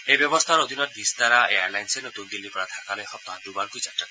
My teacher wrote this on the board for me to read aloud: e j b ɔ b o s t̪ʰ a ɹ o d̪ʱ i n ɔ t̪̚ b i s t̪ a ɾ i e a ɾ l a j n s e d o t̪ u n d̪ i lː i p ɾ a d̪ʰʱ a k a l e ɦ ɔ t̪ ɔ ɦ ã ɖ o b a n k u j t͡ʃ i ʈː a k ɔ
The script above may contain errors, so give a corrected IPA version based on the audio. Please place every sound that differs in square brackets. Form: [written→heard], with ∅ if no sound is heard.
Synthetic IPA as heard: e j b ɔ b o s t̪ʰ a [ɹ→ɾ] o d̪ʱ i n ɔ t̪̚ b i s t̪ a ɾ [i→a] e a ɾ l a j n s e [d→n] o t̪ u n d̪ i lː i p ɾ a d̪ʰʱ a k a l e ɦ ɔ t̪ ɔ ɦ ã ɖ [o→u] b a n k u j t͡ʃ [i→a] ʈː a k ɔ